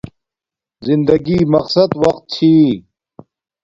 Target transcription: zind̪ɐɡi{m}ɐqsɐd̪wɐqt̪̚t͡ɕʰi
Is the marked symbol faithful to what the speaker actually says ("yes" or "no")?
yes